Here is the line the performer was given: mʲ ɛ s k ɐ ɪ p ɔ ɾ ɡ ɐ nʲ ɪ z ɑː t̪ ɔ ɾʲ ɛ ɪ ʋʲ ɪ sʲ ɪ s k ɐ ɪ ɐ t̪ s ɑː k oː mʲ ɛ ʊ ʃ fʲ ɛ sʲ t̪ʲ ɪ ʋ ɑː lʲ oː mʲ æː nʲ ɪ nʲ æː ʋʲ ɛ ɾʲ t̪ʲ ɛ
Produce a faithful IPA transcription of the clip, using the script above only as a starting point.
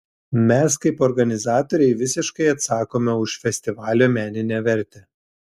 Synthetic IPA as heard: mʲ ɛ s k ɐ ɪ p ɔ ɾ ɡ ɐ nʲ ɪ z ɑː t̪ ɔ ɾʲ ɛ ɪ ʋʲ ɪ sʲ ɪ ʃ k ɐ ɪ ɐ t̪ s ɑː k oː mʲ ɛ ʊ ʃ fʲ ɛ sʲ t̪ʲ ɪ ʋ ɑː lʲ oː mʲ æː nʲ ɪ nʲ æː ʋʲ ɛ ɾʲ t̪ʲ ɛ